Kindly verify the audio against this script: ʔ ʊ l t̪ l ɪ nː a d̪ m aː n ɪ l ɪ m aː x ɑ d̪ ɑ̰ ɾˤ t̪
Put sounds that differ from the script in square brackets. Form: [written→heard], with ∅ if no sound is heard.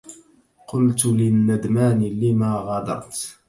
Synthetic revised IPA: [ʔ→q] ʊ l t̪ l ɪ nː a d̪ m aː n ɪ l ɪ m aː [x→ɣ] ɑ d̪ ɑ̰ ɾˤ t̪

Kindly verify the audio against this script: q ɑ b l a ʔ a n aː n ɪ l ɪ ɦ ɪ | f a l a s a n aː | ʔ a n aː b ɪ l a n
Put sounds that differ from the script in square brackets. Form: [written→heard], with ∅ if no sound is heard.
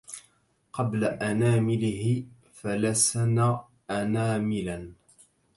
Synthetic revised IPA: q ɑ b l a ʔ a n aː [n→m] ɪ l ɪ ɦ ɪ | f a l a s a n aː | ʔ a n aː [b→m] ɪ l a n

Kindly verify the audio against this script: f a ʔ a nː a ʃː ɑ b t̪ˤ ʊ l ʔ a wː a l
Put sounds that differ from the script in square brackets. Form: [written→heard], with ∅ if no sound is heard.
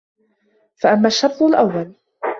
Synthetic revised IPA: f a ʔ a [nː→mː] a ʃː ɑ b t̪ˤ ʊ l ʔ a wː a l

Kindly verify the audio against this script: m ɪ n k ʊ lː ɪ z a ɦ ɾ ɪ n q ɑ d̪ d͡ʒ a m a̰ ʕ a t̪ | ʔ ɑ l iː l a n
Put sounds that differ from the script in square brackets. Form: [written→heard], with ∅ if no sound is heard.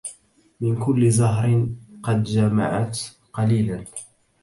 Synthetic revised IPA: m ɪ n k ʊ lː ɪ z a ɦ ɾ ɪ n q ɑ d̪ d͡ʒ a m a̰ ʕ a t̪ | [ʔ→q] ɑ l iː l a n

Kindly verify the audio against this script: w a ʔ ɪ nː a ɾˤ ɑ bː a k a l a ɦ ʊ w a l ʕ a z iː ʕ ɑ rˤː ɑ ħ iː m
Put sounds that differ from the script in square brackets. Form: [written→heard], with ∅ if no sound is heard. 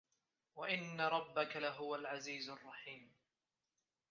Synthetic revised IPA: w a ʔ ɪ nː a ɾˤ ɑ bː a k a l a ɦ ʊ w a l ʕ a z iː [ʕ→z] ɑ rˤː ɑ ħ iː m

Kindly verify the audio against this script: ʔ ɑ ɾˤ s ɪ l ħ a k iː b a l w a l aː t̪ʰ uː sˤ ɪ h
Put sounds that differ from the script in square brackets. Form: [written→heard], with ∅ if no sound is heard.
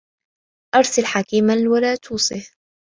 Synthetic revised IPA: ʔ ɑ ɾˤ s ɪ l ħ a k iː [b→m] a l w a l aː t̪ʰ uː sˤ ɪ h

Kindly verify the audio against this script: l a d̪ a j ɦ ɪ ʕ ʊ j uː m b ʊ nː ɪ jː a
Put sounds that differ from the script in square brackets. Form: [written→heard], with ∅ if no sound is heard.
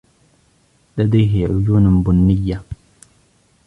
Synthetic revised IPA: l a d̪ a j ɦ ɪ ʕ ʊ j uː [m→n] b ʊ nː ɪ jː a

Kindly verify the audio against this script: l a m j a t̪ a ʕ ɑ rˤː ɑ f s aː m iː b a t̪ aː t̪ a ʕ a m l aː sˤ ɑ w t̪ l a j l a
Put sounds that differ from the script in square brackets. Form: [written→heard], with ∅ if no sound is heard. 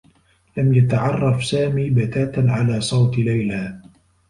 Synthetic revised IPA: l a m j a t̪ a ʕ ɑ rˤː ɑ f s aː m iː b a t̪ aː t̪ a ʕ a [m→∅] l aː sˤ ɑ w t̪ l a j l a

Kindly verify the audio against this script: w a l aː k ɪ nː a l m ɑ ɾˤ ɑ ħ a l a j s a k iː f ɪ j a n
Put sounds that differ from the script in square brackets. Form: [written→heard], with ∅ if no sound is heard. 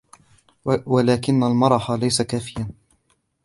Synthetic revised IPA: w a l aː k ɪ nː a l m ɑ ɾˤ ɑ ħ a l a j s a k [iː→aː] f ɪ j a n

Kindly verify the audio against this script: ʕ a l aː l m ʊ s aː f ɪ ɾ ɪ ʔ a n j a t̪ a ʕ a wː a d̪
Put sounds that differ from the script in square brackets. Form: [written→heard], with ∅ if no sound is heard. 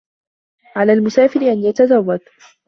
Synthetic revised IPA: ʕ a l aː l m ʊ s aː f ɪ ɾ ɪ ʔ a n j a t̪ a [ʕ→z] a wː a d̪

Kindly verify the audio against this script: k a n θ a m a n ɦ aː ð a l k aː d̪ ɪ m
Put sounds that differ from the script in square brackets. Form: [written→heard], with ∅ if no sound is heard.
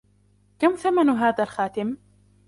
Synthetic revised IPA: k a [n→m] θ a m a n ɦ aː ð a l [k→x] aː [d̪→t̪] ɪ m

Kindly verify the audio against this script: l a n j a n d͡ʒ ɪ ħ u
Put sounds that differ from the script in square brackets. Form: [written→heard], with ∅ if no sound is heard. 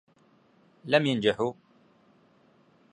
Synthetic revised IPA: l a [n→m] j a n d͡ʒ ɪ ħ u

